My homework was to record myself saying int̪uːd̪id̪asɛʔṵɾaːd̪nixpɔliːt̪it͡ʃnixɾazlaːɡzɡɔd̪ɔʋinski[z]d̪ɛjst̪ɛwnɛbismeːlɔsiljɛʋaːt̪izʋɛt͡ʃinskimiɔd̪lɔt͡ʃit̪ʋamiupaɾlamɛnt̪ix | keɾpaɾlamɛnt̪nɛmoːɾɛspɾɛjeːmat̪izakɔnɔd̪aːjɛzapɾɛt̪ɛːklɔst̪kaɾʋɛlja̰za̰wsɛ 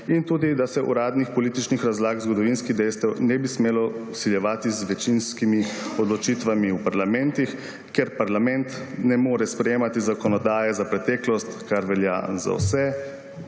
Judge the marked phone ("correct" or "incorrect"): incorrect